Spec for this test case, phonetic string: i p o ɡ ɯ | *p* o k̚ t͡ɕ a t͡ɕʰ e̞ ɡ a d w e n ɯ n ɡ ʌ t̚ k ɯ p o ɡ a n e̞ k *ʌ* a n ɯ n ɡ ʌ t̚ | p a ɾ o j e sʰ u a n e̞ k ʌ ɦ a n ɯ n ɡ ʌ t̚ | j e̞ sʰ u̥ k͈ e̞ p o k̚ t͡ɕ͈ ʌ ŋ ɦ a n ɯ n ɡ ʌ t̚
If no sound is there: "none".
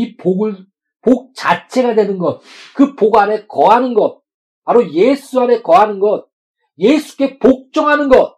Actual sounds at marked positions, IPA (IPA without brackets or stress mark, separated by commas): p, ʌ